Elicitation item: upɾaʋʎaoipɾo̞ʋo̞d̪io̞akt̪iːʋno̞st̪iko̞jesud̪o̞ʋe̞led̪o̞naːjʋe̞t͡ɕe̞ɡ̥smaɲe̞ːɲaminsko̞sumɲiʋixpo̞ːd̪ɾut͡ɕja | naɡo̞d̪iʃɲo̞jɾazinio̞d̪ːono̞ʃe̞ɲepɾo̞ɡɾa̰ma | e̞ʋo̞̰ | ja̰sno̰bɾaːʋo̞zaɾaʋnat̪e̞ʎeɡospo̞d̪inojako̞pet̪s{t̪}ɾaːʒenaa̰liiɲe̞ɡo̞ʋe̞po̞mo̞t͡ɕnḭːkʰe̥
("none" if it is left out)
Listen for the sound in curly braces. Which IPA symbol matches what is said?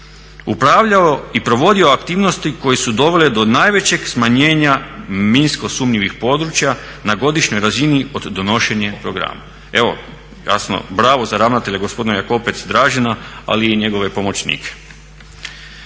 d̪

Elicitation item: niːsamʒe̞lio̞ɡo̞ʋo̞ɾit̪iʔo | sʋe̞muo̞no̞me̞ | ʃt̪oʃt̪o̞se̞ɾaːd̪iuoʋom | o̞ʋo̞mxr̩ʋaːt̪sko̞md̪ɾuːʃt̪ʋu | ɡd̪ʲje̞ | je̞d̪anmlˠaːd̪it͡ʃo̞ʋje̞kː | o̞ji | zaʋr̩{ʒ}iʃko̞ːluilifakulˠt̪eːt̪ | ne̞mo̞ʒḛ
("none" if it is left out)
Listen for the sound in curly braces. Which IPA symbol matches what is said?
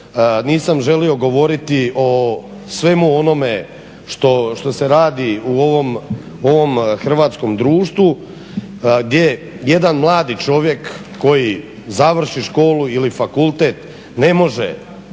ʃ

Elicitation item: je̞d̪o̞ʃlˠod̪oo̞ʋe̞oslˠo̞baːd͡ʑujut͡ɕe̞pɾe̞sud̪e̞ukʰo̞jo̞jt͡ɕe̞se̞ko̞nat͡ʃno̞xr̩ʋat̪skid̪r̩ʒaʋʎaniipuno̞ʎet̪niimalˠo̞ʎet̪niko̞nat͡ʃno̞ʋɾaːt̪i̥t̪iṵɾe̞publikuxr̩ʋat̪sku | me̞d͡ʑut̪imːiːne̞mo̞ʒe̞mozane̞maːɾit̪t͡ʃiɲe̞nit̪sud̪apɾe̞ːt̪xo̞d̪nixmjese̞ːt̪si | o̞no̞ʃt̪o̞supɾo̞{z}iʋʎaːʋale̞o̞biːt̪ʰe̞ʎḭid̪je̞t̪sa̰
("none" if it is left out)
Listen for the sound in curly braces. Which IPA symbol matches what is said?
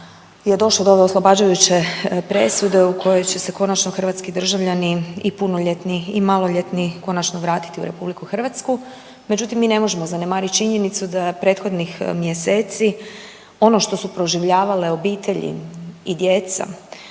ʒ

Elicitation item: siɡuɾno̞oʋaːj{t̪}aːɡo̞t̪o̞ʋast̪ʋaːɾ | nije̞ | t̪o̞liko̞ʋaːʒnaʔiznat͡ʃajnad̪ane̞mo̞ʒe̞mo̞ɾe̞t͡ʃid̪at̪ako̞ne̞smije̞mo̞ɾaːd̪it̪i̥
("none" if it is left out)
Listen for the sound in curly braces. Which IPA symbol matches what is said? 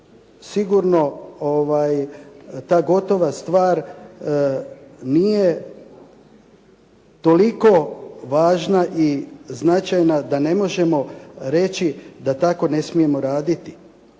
t̪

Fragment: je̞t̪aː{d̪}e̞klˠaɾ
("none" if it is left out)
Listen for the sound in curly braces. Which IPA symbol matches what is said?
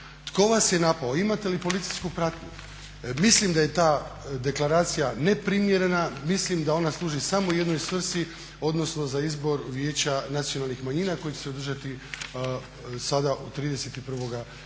d̪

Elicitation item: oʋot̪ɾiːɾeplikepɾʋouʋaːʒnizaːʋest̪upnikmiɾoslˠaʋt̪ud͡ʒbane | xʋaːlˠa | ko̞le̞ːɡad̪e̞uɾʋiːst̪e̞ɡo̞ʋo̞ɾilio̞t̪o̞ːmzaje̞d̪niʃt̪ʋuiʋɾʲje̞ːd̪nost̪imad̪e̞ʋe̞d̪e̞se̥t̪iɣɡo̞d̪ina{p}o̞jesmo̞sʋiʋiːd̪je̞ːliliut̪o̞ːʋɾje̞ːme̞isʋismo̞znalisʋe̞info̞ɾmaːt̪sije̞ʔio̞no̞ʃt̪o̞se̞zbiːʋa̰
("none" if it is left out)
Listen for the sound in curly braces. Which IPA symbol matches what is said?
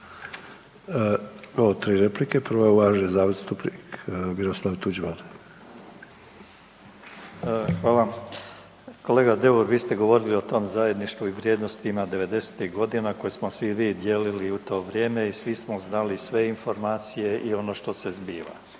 k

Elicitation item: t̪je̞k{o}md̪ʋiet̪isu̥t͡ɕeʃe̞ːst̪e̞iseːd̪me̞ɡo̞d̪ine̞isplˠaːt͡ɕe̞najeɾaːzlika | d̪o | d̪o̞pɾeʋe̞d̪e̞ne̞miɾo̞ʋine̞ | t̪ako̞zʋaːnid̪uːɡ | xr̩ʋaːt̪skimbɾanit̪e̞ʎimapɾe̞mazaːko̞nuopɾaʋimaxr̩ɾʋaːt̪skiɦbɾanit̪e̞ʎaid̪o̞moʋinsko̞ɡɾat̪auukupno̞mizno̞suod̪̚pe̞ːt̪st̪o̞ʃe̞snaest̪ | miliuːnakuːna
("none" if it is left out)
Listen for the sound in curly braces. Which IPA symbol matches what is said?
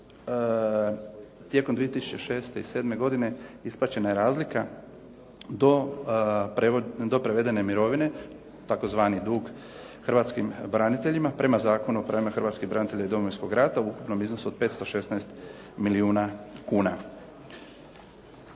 o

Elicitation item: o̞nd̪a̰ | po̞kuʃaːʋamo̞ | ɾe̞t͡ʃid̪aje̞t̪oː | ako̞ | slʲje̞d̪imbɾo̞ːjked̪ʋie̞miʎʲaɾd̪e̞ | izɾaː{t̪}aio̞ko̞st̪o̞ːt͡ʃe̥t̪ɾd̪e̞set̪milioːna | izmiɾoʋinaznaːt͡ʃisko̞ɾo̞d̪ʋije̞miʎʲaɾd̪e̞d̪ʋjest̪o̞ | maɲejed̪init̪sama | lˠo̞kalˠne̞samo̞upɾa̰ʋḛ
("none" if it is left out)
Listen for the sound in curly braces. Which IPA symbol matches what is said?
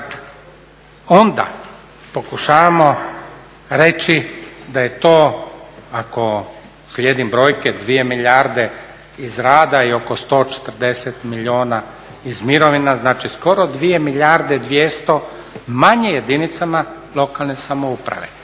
d̪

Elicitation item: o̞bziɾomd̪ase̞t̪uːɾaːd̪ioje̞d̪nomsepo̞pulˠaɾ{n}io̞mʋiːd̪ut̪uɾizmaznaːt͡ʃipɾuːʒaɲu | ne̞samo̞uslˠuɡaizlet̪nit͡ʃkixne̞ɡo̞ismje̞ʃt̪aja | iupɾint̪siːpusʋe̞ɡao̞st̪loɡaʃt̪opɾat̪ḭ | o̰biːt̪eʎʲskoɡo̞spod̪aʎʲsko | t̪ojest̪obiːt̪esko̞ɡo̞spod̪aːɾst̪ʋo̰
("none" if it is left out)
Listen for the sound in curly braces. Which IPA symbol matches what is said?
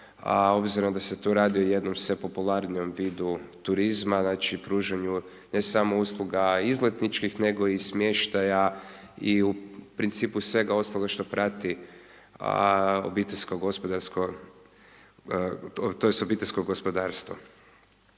n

